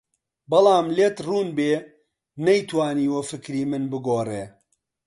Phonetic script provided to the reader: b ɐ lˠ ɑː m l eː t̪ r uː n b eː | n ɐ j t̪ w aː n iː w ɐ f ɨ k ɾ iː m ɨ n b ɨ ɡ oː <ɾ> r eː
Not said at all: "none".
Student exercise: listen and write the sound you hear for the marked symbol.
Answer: none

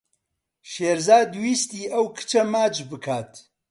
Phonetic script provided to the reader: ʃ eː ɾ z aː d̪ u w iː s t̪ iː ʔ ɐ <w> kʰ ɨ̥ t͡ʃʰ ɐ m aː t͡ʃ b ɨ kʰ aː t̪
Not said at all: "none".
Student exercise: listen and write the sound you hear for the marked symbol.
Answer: w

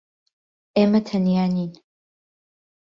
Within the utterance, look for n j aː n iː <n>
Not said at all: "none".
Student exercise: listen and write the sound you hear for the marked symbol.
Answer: n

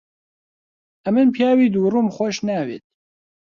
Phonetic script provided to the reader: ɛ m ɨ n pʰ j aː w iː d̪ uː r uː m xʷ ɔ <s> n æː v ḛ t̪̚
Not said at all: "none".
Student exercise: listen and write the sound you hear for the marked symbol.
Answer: ʃ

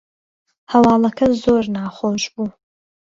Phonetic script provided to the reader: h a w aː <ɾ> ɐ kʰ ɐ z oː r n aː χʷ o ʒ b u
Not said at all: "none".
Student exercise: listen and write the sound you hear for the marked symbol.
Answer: l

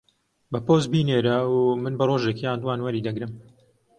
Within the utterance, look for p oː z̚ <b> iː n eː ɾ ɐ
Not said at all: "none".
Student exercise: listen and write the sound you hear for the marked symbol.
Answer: b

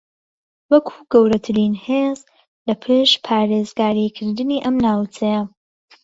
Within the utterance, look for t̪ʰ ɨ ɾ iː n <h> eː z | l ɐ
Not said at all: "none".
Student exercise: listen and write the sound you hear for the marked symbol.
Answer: h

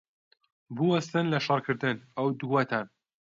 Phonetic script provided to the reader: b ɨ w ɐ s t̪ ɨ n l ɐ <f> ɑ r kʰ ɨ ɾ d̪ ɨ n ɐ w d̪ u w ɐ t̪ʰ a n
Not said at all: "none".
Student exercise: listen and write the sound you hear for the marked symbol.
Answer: ʃ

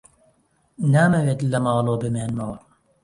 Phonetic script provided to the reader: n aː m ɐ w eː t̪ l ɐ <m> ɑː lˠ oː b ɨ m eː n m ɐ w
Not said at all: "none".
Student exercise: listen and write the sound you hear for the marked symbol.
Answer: m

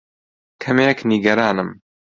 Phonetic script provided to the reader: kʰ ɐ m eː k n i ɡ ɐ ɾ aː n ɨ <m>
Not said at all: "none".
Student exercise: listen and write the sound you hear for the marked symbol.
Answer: m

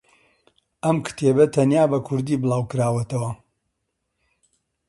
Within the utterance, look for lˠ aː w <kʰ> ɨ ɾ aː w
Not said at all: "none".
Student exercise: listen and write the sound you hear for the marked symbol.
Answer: k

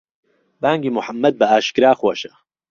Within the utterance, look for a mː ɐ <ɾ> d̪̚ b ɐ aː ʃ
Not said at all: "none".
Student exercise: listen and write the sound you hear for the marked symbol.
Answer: none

